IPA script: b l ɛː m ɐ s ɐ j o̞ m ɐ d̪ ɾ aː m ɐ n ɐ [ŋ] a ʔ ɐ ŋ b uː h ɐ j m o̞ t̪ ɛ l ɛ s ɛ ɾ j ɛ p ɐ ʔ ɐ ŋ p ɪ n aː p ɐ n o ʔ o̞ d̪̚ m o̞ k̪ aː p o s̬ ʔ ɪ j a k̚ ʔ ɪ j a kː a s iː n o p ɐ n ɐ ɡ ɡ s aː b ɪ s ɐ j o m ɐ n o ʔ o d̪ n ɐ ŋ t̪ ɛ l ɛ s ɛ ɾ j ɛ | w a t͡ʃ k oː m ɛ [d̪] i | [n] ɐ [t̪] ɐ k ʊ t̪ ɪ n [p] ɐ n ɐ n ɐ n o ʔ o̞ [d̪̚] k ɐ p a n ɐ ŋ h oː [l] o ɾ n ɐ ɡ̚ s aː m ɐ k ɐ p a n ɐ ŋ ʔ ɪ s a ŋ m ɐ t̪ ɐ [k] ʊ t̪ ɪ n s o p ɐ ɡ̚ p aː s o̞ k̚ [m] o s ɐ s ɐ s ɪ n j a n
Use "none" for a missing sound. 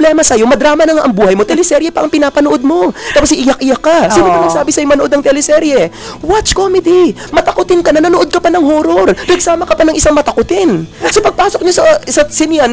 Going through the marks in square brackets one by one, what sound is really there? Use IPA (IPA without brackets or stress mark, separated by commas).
ŋ, d̪, m, t̪, k, d̪̚, ɾ, k, ɲ